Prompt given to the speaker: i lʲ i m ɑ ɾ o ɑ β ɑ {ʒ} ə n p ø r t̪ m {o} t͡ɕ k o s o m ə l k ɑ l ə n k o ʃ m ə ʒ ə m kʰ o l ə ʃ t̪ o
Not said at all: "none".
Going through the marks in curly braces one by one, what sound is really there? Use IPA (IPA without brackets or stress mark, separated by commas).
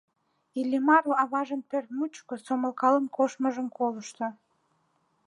ʒ, u